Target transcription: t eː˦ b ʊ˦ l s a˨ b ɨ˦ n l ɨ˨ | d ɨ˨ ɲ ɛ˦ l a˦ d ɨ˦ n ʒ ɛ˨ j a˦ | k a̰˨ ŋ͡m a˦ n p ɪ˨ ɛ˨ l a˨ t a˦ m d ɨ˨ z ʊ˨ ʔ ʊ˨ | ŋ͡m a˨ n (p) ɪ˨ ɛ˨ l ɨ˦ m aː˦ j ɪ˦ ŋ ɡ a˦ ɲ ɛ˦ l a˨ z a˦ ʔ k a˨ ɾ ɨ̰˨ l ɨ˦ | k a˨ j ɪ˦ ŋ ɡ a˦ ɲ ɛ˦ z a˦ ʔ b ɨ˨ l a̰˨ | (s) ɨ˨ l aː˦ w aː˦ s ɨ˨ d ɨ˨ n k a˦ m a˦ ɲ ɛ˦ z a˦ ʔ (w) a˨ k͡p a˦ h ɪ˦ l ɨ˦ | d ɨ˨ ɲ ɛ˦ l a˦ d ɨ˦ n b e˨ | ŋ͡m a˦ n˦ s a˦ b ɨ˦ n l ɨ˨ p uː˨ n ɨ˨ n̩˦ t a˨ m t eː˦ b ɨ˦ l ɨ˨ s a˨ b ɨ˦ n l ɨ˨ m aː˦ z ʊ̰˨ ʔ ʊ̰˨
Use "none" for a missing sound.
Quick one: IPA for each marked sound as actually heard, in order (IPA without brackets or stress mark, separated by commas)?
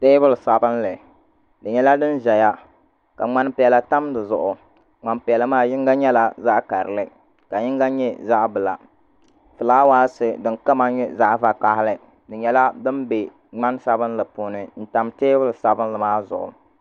p, f, v